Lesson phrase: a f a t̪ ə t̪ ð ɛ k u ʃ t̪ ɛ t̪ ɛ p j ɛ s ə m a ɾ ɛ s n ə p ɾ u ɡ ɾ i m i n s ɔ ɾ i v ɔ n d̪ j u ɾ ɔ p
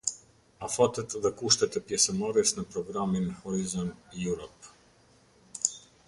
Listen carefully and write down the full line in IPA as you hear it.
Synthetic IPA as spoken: a f a t̪ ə t̪ ð ɛ k u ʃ t̪ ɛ t̪ ɛ p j ɛ s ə m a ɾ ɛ s n ə p ɾ ɔ ɡ ɾ a m i n h ɔ ɾ i z ɔ n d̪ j u ɾ ɔ p